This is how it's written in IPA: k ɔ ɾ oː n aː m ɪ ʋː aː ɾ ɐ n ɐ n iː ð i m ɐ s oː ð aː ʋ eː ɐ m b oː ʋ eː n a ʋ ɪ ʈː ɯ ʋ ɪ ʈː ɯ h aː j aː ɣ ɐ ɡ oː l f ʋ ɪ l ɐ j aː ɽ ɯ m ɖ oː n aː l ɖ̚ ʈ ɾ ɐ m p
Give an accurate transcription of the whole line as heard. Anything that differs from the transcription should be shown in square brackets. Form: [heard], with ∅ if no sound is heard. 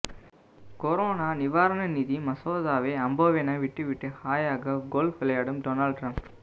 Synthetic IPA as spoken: k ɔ ɾ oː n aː [n] ɪ [ʋ] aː ɾ ɐ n ɐ n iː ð i m ɐ s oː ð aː ʋ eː ɐ m b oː ʋ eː n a ʋ ɪ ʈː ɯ ʋ ɪ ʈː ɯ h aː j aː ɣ ɐ ɡ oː l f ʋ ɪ l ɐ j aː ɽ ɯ m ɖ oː n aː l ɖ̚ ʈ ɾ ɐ m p